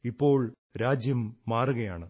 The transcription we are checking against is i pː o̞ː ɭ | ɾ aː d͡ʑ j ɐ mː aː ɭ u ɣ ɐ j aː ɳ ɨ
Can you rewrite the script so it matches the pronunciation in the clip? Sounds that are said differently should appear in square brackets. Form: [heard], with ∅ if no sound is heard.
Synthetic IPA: i pː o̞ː ɭ | ɾ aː d͡ʑ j ɐ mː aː [r] u ɣ ɐ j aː ɳ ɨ